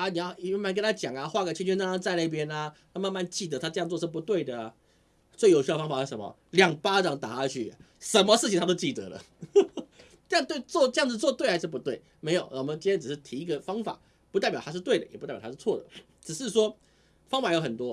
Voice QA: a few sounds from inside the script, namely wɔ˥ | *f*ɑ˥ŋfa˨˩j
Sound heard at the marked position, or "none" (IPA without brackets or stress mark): f